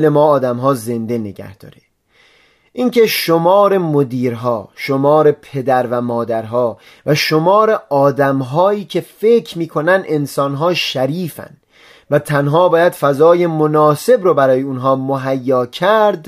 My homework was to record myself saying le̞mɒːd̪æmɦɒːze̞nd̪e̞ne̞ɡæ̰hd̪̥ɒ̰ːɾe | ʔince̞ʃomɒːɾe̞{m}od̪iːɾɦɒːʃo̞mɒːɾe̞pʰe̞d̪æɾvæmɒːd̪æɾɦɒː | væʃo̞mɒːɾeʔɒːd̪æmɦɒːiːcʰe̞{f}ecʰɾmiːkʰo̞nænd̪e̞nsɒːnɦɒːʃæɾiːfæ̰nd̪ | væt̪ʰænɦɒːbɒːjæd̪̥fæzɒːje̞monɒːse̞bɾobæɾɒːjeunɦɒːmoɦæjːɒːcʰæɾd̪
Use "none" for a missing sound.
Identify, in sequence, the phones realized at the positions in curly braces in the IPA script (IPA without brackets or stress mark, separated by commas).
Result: m, f